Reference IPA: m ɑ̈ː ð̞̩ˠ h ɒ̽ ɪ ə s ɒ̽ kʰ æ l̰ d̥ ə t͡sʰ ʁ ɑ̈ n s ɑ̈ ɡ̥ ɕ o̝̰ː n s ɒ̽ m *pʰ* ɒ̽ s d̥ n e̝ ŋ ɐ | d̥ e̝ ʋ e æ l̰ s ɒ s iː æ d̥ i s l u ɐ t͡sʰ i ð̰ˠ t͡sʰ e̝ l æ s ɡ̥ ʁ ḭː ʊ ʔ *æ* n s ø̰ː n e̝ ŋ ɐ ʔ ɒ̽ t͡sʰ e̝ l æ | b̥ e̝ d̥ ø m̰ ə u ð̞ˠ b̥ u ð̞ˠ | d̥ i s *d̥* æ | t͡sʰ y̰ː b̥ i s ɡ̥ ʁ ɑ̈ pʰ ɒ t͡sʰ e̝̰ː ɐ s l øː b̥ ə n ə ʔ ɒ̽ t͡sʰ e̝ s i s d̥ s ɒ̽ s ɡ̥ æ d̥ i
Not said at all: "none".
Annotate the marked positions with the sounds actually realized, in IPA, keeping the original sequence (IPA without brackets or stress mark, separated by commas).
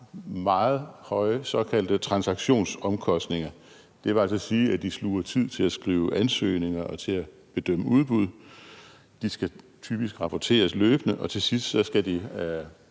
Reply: kʰ, æ, ɡ̥